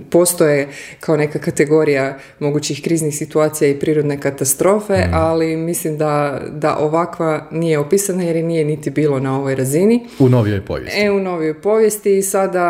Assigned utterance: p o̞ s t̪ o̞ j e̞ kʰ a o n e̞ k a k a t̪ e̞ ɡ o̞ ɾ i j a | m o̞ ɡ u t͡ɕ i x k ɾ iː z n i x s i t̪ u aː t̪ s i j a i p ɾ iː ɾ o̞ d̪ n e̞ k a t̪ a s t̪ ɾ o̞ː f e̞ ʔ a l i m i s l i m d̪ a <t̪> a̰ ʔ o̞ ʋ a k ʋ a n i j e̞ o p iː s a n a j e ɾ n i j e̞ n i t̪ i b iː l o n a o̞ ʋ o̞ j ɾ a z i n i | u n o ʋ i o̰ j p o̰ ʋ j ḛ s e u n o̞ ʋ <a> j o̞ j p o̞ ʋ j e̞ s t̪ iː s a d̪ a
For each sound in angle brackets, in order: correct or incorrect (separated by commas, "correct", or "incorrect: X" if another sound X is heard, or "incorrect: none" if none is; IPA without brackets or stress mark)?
incorrect: d̪, incorrect: i